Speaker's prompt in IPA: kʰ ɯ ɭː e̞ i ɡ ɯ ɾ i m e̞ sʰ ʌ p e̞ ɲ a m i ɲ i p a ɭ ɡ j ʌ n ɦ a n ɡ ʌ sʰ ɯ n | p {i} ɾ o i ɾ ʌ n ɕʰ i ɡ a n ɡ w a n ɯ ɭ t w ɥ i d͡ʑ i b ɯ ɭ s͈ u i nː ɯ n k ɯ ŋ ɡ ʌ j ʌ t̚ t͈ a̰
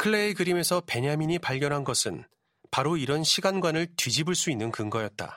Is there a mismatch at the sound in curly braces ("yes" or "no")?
yes